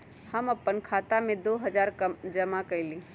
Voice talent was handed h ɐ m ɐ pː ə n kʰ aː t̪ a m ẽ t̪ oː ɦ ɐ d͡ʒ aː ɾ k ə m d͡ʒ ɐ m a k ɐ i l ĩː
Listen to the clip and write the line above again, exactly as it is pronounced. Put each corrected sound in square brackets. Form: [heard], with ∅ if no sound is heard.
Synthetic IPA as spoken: h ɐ m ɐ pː ə n kʰ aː t̪ a m ẽ [d̪] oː ɦ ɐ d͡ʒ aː ɾ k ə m d͡ʒ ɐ m a k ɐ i l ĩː